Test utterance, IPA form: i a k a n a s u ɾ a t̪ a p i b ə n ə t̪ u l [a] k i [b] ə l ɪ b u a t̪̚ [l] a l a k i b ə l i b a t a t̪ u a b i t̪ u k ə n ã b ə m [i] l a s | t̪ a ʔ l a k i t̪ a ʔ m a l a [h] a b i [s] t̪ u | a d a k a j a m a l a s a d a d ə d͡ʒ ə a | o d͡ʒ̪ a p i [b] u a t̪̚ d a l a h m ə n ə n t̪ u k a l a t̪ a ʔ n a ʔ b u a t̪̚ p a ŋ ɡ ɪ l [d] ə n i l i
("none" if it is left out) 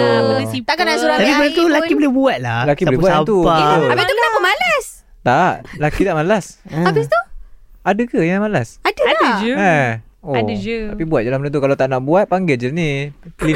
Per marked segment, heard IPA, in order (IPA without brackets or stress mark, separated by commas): a, b, l, a, s, s, b, d͡ʒ